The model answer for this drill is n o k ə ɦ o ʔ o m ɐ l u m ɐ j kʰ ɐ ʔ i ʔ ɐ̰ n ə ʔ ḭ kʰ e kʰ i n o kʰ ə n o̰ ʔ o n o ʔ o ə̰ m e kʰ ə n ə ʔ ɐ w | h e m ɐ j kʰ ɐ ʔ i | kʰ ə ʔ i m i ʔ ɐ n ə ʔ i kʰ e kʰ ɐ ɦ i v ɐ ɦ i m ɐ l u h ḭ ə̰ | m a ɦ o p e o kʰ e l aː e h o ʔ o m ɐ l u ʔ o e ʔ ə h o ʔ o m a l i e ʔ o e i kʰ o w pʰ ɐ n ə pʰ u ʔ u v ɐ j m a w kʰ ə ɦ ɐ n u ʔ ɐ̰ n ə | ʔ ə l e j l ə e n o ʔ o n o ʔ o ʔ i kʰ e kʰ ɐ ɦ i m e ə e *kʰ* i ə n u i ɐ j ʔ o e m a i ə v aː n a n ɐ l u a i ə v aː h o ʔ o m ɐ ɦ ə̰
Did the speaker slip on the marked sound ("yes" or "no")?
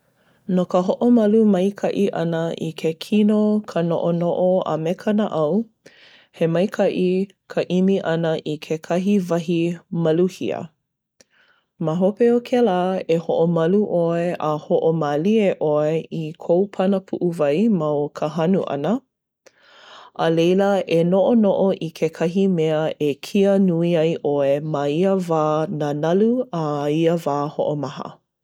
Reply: no